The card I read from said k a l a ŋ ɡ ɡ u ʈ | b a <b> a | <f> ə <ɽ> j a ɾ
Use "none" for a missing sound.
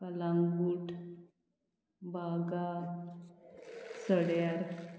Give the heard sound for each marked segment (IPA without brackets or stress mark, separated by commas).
ɡ, s, ɽ